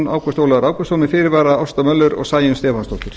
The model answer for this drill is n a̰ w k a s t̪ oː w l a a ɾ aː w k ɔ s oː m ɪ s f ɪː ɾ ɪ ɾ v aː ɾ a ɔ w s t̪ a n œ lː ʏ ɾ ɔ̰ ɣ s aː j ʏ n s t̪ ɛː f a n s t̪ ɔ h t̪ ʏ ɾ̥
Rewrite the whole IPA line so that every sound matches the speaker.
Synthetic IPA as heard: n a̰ w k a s t̪ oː w l a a ɾ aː w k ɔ s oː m ɪ f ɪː ɾ ɪ ɾ v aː ɾ a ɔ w s t̪ a m œ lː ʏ ɾ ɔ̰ ɣ s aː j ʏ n s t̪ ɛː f a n s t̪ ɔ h t̪ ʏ ɾ̥